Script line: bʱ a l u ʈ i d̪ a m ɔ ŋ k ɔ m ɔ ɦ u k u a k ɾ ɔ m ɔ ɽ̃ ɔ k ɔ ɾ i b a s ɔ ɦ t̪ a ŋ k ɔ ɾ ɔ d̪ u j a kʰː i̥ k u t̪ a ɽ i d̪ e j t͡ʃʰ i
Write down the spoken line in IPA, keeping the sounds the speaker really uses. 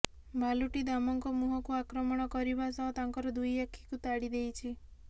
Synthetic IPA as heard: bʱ a l u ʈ i d̪ a m ɔ ŋ k ɔ m u ɦ ɔ k u a k ɾ ɔ m ɔ ɽ̃ ɔ k ɔ ɾ i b a s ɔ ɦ t̪ a ŋ k ɔ ɾ ɔ d̪ u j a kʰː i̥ k u t̪ a ɽ i d̪ e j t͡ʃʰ i